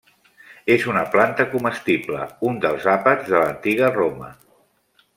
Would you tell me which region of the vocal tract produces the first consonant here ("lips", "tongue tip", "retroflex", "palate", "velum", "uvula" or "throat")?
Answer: tongue tip